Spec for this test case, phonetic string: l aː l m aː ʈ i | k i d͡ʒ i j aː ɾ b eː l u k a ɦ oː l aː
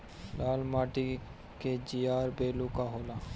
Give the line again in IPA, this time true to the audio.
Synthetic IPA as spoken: l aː l m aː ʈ i | k e d͡ʒ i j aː ɾ b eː l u k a ɦ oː l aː